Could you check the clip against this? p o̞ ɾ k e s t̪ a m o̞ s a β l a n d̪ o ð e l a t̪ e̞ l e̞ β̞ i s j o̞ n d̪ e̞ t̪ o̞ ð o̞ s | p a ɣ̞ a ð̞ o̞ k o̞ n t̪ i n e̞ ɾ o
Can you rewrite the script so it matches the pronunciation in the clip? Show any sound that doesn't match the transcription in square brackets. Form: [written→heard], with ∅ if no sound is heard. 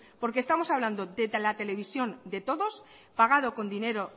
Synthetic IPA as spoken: p o̞ ɾ k e s t̪ a m o̞ s a β l a n d̪ o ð e l a t̪ e̞ l e̞ β̞ i s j o̞ n d̪ e̞ t̪ o̞ ð o̞ s | p a ɣ̞ a ð̞ o̞ k o̞ n [t̪→d̪] i n e̞ ɾ o